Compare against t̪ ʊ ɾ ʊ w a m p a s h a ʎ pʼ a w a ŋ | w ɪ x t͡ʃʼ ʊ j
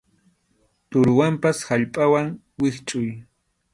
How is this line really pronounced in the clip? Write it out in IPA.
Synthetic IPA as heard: t̪ ʊ ɾ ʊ w a m p a s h a ʎ pʼ a w a ŋ | w ɪ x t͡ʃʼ ʊ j